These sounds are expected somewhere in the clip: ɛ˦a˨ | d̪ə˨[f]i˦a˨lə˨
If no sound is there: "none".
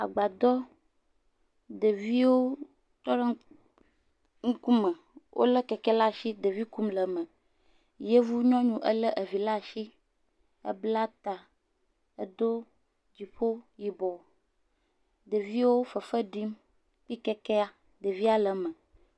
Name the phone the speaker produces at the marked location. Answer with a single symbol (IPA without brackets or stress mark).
v